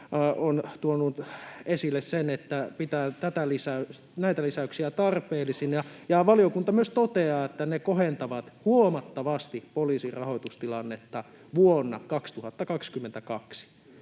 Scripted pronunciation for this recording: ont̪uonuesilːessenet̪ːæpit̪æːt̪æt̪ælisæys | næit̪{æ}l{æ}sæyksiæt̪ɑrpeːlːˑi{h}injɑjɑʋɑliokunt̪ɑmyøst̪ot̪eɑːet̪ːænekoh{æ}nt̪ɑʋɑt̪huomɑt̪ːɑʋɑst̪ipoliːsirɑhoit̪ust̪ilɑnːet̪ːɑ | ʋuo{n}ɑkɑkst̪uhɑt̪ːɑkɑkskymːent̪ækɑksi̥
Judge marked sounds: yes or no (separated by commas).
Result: yes, no, no, no, no